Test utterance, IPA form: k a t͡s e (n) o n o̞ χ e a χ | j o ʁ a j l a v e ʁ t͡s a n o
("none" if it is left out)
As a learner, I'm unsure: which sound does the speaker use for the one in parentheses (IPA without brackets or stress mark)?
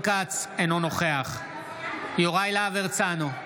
n